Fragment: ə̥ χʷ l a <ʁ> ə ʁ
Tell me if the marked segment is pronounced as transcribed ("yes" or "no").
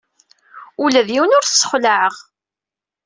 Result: no